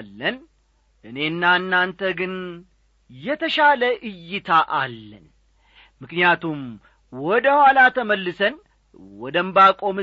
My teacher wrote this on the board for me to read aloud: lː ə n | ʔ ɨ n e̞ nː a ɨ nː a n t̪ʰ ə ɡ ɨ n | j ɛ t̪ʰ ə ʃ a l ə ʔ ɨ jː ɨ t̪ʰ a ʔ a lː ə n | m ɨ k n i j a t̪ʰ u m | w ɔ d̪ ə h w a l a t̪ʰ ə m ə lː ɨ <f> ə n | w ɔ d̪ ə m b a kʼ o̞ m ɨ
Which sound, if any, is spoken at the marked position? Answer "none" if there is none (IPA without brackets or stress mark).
s